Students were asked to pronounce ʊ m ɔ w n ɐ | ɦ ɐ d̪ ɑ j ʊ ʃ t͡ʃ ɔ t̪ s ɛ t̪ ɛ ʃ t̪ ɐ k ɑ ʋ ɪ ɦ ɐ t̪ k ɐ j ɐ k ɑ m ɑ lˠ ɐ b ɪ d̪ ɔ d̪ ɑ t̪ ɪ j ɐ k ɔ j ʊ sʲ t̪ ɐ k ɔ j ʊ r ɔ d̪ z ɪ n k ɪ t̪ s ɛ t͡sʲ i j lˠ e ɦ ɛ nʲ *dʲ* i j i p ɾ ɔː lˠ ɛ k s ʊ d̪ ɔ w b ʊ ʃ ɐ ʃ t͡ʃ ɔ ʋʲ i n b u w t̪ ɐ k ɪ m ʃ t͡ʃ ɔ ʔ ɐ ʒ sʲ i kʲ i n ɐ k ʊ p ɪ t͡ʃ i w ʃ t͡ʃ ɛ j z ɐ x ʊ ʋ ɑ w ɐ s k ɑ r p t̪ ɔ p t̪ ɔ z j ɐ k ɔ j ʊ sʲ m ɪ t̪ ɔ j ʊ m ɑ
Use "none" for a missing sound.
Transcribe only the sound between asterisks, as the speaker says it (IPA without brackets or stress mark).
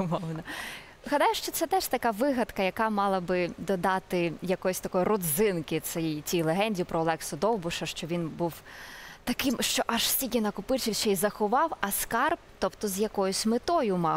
dʲ